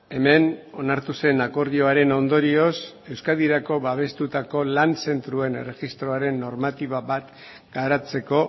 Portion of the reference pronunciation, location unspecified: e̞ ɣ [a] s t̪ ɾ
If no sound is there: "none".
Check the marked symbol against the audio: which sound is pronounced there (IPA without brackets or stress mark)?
i